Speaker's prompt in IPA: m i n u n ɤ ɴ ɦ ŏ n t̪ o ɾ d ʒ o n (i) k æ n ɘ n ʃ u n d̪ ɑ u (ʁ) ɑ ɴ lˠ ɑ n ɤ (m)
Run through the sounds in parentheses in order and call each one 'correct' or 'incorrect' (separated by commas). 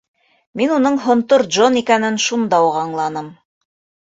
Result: correct, correct, correct